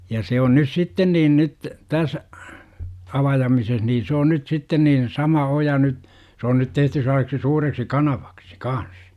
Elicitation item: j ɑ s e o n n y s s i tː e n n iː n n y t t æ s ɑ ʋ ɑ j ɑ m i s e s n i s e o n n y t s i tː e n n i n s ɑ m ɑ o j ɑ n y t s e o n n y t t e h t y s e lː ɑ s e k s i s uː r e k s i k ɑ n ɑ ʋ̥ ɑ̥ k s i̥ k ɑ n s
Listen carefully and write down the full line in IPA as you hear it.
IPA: j ɑ s e o n n y s s i tː e n n iː n n y t t æ s ɑ ʋ ɑ j ɑ m i s e s n iː s e o n n y t s i tː e n n iː n s ɑ m ɑ o j ɑ n y t s e o n n y t t e h t y s e lː ɑ s e k s i s uː r e k s i k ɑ n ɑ ʋ̥ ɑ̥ k s i̥ k ɑ n s